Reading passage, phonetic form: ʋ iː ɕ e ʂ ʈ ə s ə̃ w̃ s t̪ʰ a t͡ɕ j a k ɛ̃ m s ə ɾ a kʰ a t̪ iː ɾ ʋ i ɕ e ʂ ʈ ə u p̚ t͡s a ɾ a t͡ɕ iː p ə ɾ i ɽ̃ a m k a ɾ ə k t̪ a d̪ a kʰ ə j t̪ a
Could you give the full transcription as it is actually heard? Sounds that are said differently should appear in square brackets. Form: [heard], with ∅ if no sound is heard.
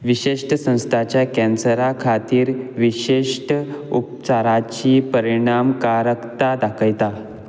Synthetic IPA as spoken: ʋ [i] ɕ e ʂ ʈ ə s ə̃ w̃ s t̪ʰ a t͡ɕ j a k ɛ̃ [n] s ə ɾ a kʰ a t̪ iː ɾ ʋ i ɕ e ʂ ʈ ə u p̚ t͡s a ɾ a t͡ɕ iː p ə ɾ i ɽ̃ a m k a ɾ ə k t̪ a d̪ a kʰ ə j t̪ a